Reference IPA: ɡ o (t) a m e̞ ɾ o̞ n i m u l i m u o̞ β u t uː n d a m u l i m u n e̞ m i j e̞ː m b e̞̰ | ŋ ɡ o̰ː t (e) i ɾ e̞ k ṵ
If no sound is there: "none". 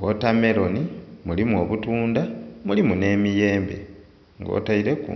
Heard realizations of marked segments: t, a

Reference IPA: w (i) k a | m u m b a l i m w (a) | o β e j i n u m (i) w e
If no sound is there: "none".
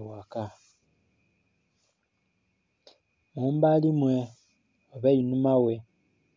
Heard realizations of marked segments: a, e, a

